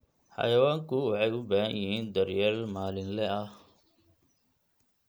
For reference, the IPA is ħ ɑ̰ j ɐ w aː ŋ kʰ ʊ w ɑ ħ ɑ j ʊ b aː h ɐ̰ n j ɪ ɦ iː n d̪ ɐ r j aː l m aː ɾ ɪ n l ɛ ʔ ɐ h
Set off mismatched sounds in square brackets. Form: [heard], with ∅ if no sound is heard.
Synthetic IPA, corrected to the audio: ħ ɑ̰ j ɐ w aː ŋ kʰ ʊ w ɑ ħ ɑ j ʊ b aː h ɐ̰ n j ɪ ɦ iː n d̪ ɐ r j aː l m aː [l] ɪ n l ɛ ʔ ɐ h